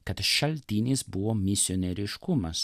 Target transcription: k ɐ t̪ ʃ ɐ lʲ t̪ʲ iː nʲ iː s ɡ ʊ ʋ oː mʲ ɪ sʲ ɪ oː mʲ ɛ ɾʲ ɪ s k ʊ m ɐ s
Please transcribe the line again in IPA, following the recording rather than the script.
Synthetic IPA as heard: k ɐ t̪ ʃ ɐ lʲ t̪ʲ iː nʲ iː s b ʊ ʋ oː mʲ ɪ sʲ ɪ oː nʲ ɛ ɾʲ ɪ ʃ k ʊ m ɐ s